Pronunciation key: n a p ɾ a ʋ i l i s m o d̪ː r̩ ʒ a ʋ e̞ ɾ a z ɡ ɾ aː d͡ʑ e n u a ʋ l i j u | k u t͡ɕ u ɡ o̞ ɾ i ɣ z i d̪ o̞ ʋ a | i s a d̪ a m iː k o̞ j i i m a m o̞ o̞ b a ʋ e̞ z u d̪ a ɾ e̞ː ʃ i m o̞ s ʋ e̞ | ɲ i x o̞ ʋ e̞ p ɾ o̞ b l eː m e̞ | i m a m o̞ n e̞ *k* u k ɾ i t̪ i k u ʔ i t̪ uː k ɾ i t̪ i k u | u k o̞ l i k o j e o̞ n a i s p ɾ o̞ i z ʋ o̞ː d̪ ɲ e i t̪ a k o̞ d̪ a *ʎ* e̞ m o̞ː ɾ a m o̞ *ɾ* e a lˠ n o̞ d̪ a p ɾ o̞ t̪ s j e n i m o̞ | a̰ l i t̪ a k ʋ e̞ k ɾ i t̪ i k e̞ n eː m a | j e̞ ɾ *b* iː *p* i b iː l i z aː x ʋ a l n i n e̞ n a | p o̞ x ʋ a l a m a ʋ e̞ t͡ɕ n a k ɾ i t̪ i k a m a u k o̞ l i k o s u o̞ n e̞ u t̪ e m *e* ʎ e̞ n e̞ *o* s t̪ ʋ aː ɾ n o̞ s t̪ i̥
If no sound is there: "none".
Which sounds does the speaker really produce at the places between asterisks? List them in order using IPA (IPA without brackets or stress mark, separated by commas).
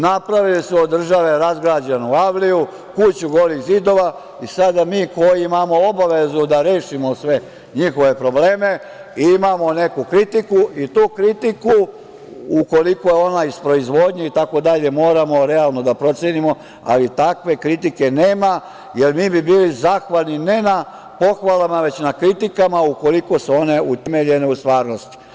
k, ʎ, ɾ, m, b, e, u